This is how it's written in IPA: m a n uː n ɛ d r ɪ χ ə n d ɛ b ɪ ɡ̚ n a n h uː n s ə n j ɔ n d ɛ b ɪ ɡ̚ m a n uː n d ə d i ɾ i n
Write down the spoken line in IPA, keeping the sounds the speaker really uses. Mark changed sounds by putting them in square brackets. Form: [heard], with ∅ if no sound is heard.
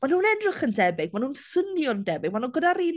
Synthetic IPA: m a n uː n ɛ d r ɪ χ ə n d ɛ b ɪ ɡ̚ [m] a n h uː n s ə n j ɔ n d ɛ b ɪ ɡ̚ m a n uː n [ɡ] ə d [a] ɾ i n